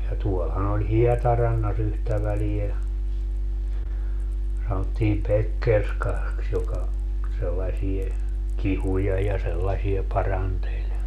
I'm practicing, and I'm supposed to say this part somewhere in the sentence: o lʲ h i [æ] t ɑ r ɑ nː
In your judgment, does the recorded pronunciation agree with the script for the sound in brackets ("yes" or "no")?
no